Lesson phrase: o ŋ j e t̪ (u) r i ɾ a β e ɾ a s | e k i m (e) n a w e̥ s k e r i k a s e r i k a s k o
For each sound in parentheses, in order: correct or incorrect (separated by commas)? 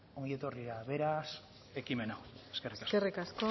incorrect, correct